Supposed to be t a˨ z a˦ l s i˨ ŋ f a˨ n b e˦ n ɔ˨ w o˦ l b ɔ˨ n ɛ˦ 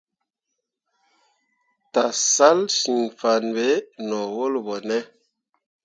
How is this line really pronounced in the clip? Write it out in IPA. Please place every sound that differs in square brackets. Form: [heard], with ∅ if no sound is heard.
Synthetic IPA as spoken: t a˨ [s] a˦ l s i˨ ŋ f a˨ n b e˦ n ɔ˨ w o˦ l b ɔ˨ n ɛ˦